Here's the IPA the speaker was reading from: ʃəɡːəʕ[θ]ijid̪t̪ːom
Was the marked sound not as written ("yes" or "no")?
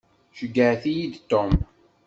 no